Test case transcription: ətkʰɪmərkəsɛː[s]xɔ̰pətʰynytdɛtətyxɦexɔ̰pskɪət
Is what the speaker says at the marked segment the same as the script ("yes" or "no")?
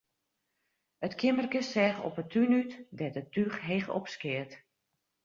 no